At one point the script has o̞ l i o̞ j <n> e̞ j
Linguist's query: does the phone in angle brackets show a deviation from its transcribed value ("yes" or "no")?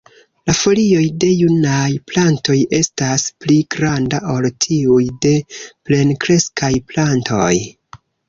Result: yes